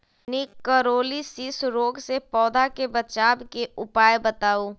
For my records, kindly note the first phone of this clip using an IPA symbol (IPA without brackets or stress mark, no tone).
n